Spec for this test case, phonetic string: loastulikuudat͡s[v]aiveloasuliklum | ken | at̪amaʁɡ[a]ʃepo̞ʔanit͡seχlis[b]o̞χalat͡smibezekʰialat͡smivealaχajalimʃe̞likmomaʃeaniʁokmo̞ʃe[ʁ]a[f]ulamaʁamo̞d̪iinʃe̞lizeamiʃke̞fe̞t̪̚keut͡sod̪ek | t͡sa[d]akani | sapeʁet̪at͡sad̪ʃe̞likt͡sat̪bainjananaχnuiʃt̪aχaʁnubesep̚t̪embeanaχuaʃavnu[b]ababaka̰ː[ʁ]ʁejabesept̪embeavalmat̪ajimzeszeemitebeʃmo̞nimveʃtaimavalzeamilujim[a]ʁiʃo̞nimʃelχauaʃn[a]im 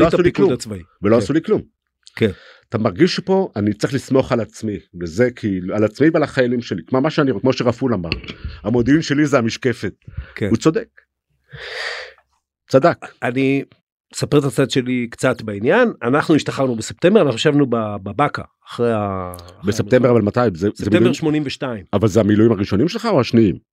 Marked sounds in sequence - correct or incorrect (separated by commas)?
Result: correct, incorrect, incorrect, correct, correct, correct, correct, incorrect, correct, incorrect